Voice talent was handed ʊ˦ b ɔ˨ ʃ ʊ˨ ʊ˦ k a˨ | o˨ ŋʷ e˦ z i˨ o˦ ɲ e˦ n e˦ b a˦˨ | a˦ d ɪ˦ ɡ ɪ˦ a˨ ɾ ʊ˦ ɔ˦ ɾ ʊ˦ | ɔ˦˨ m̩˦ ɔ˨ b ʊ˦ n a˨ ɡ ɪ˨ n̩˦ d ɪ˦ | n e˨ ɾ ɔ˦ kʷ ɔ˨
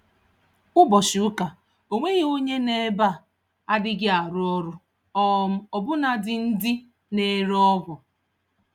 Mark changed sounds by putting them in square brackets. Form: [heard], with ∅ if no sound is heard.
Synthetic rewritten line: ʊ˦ b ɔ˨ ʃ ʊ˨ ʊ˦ k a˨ | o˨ ŋʷ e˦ [ɣ] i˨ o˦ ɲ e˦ n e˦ b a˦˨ | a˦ d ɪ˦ ɡ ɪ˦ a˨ ɾ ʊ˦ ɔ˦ ɾ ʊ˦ | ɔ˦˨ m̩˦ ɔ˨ b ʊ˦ n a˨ [d] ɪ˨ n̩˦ d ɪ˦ | n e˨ ɾ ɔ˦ [ɡʷ] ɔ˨